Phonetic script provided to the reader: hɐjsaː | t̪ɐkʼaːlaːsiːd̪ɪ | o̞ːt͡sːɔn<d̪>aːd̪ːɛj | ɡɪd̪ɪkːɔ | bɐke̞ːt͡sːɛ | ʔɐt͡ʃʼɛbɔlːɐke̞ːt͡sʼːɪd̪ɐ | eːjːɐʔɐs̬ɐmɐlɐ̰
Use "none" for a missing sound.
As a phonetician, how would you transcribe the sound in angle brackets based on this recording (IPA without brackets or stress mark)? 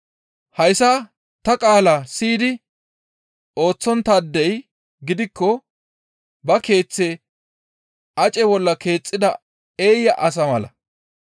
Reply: t̪